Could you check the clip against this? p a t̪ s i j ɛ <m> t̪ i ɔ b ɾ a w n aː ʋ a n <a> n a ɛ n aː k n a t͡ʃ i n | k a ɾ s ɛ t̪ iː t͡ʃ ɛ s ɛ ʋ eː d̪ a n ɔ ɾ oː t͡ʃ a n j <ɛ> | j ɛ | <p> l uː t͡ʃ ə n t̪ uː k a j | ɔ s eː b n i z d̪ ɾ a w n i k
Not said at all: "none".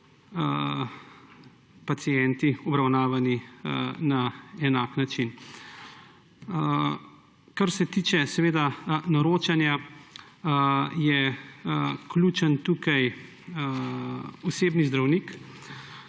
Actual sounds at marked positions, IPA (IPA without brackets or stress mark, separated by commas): n, i, a, k